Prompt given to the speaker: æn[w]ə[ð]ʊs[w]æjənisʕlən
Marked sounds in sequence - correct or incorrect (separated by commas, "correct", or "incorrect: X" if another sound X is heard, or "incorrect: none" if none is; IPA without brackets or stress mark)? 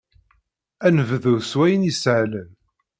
incorrect: v, correct, correct